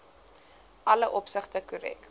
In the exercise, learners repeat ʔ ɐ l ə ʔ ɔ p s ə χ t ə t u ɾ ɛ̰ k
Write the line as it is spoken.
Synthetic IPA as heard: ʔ ɐ l ə ʔ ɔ p s ə χ t ə k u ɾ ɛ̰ k